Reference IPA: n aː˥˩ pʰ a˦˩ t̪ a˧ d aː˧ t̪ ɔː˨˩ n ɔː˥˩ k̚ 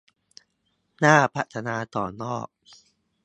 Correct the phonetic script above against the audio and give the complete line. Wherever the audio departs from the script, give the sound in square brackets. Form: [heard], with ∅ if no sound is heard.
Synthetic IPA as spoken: n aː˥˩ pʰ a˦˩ [t̪ʰ] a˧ [n] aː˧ t̪ ɔː˨˩ n ɔː˥˩ k̚

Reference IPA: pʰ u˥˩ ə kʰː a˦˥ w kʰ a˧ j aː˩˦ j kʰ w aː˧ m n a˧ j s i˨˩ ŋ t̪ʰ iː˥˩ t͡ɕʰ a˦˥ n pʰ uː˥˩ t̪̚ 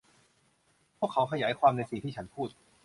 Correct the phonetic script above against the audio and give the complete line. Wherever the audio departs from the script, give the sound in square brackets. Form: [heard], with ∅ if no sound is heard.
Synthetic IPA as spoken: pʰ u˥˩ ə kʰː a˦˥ w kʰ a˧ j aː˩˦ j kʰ w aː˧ m n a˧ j s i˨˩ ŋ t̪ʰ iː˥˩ t͡ɕʰ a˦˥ n pʰ uː˥˩ t̪̚

